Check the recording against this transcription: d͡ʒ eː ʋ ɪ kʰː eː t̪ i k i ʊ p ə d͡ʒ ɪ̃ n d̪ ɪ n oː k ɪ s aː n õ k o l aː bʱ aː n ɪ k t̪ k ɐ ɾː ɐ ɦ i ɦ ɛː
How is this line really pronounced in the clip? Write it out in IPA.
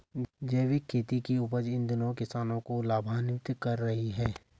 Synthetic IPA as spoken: d͡ʒ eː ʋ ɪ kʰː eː t̪ i k i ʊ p ə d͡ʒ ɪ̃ n d̪ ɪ n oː k ɪ s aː n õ k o l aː bʱ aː n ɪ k t̪ k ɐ ɾː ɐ ɦ i ɦ ɛː